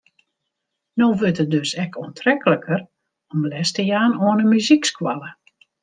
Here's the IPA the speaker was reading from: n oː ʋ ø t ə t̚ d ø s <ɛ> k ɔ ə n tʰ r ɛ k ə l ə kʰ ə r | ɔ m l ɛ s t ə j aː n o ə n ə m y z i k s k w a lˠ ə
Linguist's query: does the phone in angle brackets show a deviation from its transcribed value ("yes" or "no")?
no